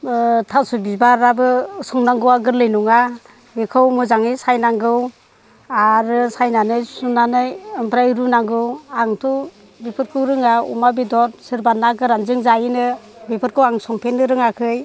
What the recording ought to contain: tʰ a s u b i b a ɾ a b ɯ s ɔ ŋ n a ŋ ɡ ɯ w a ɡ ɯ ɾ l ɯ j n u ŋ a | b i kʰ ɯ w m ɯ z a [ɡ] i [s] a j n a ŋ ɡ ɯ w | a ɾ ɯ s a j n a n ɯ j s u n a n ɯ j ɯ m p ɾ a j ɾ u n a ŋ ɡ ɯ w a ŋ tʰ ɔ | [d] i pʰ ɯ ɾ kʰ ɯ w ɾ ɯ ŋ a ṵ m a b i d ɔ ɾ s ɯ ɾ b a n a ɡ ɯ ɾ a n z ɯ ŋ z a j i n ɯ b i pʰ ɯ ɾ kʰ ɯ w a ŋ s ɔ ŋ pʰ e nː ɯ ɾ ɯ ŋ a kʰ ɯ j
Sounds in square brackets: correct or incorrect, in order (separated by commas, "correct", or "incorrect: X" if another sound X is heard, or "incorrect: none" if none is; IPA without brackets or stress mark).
incorrect: ŋ, correct, incorrect: b